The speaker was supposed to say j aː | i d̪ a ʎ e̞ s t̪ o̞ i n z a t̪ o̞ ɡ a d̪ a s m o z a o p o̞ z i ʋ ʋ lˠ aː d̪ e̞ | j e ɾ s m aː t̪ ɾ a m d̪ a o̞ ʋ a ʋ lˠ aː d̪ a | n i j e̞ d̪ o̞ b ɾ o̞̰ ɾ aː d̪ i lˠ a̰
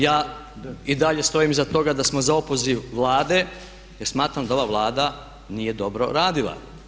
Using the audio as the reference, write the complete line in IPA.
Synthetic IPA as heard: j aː | i d̪ a ʎ e̞ s t̪ o̞ i m z a t̪ o̞ ɡ a d̪ a s m o z a o p o̞ z i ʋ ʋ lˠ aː d̪ e̞ | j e ɾ s m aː t̪ ɾ a m d̪ a o̞ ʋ a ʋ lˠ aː d̪ a | n i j e̞ d̪ o̞ b ɾ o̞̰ ɾ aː d̪ i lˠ a̰